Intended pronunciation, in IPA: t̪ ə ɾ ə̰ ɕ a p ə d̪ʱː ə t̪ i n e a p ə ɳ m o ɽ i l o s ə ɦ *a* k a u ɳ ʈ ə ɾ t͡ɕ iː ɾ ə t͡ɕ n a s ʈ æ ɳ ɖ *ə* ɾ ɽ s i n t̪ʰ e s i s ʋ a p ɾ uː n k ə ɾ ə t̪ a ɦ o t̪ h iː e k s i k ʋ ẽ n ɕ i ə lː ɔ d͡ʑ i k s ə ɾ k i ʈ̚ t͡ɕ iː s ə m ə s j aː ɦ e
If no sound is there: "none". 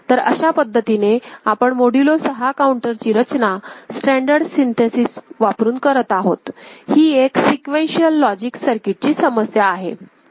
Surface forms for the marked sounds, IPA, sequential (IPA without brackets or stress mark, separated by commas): a, ə